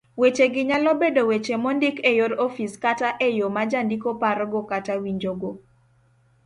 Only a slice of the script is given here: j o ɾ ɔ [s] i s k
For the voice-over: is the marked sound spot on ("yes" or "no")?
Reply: no